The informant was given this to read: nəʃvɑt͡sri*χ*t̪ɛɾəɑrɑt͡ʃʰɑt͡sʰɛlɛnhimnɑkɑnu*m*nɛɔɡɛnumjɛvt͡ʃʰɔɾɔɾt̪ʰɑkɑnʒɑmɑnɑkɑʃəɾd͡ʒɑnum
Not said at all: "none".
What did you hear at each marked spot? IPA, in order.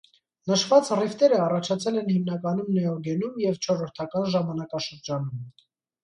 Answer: f, m

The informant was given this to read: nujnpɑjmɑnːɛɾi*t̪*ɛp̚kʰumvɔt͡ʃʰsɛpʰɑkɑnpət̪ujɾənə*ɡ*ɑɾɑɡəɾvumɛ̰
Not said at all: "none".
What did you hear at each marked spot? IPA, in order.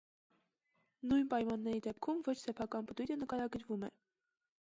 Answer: d̪, k

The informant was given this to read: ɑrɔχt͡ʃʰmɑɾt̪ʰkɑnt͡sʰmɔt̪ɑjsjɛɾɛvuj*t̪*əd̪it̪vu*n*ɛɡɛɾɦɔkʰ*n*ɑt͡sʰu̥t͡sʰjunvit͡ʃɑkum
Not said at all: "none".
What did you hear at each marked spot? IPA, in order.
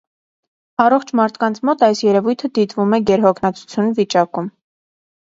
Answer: t̪ʰ, m, n

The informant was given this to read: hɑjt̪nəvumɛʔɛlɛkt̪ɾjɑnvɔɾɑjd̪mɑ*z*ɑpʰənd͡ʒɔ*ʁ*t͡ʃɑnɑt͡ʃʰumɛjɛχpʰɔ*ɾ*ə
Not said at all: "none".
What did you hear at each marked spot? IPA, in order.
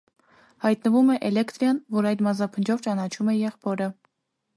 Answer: z, v, ɾ

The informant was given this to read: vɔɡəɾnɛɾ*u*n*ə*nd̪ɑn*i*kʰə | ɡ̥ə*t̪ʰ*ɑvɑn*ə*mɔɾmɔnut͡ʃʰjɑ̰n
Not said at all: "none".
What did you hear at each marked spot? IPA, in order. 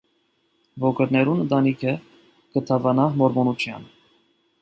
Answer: u, ə, i, t̪ʰ, ɑ

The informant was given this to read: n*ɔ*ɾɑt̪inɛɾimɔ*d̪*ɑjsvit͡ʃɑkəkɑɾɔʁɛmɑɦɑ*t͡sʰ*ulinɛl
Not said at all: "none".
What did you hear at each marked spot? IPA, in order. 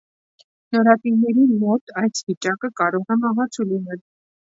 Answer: ɔ, t̪, t͡sʰ

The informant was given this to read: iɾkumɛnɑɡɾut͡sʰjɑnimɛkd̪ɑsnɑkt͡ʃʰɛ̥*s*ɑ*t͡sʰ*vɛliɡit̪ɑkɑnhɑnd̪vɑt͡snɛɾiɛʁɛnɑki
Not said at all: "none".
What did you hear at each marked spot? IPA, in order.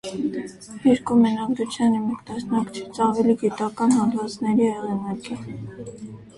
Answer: t͡s, none

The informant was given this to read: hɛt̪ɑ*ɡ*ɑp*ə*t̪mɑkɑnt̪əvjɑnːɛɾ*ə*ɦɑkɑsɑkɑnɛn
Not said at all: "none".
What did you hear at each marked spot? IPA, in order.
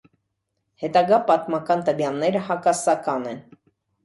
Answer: ɡ, ɑ, ə

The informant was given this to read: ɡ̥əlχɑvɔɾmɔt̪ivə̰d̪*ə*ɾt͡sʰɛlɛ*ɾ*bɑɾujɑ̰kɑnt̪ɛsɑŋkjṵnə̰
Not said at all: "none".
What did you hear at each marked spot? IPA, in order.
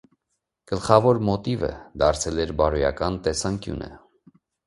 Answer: ɑ, ɾ

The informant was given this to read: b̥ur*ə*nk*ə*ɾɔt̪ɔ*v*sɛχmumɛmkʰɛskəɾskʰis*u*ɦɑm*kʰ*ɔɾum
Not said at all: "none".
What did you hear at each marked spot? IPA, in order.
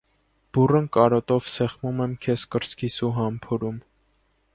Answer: ə, ɑ, v, u, pʰ

